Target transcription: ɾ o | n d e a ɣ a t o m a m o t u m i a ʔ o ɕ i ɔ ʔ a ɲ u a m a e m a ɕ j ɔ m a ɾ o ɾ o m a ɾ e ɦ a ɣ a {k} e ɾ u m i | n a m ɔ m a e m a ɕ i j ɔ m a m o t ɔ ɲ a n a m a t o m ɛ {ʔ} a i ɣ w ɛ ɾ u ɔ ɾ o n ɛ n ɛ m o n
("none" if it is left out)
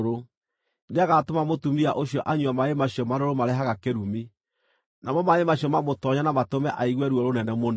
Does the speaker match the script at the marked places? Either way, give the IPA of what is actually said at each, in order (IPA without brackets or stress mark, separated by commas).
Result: k, ʔ